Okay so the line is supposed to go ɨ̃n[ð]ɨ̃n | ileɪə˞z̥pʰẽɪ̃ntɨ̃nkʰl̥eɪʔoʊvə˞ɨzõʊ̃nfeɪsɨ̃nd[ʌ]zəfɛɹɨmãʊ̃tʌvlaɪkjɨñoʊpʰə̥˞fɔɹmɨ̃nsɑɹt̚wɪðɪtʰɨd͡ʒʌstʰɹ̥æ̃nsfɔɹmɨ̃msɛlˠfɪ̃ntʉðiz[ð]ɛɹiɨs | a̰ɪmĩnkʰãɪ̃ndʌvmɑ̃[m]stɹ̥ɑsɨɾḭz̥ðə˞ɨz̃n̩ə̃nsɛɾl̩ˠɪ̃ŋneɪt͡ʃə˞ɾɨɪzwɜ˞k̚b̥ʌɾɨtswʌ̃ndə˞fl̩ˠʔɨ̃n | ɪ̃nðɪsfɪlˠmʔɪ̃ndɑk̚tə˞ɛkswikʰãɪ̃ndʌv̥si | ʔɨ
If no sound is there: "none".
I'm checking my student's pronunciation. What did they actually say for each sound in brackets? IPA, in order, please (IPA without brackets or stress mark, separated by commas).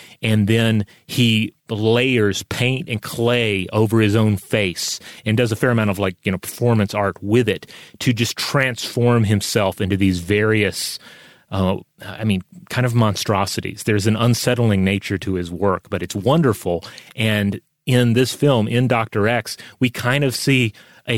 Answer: ð, ʌ, v, n